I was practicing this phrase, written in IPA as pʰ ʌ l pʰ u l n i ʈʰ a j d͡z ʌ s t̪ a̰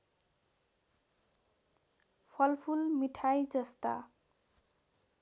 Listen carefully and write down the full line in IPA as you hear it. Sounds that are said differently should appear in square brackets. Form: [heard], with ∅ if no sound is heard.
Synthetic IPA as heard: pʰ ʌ l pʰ u l [m] i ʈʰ a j d͡z ʌ s t̪ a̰

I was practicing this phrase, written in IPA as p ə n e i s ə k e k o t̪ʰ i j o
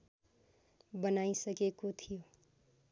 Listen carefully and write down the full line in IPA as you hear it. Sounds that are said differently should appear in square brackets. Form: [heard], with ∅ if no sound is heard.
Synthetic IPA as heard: [b] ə n [a] i s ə k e k o t̪ʰ i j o

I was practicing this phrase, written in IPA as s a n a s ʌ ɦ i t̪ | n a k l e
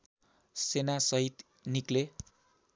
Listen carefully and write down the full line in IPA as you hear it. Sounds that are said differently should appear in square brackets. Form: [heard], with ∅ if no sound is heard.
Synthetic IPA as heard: s [e] n a s ʌ ɦ i t̪ | n [i] k l e

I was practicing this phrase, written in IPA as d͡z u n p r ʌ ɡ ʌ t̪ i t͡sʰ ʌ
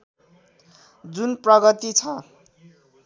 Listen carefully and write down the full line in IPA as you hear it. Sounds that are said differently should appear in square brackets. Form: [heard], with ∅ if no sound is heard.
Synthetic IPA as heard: d͡z u n p r ʌ ɡ ʌ t̪ i t͡sʰ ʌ

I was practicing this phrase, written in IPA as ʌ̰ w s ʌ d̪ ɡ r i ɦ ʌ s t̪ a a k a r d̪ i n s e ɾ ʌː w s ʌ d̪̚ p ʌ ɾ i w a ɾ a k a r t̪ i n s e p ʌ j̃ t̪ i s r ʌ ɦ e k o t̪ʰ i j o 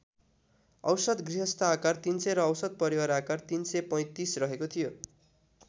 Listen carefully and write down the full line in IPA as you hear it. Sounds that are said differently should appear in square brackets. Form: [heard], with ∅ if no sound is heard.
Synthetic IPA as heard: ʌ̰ w s ʌ d̪ ɡ r i ɦ ʌ s t̪ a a k a r [t̪] i n s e ɾ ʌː w s ʌ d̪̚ p ʌ ɾ i w a ɾ a k a r t̪ i n s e p ʌ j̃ t̪ i s r ʌ ɦ e k o t̪ʰ i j o

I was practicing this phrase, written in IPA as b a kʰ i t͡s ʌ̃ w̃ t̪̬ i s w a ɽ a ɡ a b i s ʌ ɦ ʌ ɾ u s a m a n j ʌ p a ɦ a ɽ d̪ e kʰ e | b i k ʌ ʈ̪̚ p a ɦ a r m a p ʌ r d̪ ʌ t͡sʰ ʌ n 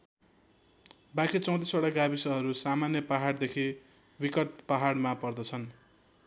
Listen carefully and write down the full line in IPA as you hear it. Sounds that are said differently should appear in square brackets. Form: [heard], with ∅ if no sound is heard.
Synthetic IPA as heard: b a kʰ i t͡s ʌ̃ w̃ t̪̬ i s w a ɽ a ɡ a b i s ʌ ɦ ʌ ɾ u s a m a n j ʌ p a ɦ a ɽ d̪ e kʰ [i] | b i k ʌ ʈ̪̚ p a ɦ a [ɽ] m a p ʌ r d̪ ʌ t͡sʰ ʌ n

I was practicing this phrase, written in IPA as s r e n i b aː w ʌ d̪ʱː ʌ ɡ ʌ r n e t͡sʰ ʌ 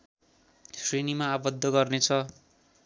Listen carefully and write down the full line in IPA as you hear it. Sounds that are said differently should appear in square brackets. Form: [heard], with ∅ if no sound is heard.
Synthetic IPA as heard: s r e n i [m] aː [b] ʌ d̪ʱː ʌ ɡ ʌ r n e t͡sʰ ʌ

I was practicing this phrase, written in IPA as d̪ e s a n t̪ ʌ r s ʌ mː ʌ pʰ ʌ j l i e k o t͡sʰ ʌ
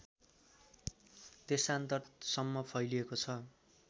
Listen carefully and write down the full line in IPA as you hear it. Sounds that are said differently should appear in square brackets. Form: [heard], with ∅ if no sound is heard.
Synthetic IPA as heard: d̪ e s a n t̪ ʌ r s ʌ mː ʌ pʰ ʌ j l i e k o t͡sʰ ʌ

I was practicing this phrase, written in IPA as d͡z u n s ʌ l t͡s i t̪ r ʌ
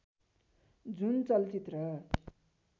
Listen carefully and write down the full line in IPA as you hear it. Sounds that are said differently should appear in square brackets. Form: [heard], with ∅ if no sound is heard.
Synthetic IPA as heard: d͡z u n [t͡s] ʌ l t͡s i t̪ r ʌ

